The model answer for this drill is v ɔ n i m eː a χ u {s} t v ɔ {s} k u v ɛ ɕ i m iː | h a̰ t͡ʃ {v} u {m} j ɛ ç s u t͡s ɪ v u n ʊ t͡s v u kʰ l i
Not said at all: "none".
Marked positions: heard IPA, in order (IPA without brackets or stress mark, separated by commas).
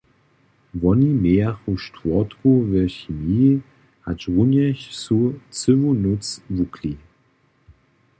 ʃ, t, ʁ, n